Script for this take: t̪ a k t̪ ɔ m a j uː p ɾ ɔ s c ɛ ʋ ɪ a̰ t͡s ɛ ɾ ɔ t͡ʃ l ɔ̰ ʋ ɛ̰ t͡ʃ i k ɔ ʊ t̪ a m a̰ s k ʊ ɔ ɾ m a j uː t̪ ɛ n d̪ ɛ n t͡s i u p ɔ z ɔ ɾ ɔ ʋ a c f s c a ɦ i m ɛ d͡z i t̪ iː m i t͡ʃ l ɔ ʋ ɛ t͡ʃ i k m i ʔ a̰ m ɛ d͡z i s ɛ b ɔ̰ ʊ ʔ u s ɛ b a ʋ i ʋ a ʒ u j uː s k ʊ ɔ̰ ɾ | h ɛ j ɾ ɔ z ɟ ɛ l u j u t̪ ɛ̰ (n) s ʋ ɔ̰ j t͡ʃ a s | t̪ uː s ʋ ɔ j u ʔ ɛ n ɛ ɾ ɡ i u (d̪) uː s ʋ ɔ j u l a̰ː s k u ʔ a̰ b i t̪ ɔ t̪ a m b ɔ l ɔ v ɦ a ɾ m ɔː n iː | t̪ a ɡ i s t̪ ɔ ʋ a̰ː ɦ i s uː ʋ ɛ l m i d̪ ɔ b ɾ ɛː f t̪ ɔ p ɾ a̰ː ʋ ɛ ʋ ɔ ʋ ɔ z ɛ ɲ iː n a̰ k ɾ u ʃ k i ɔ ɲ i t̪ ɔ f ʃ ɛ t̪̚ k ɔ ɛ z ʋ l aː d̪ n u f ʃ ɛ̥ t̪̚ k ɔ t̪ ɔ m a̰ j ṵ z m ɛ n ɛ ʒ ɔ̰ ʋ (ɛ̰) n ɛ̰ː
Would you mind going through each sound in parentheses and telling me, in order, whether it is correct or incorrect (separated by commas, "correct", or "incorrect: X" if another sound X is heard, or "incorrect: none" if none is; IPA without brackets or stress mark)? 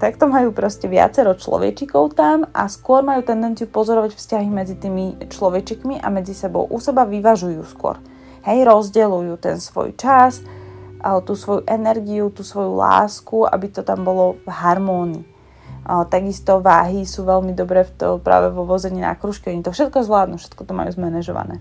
correct, incorrect: t̪, incorrect: a̰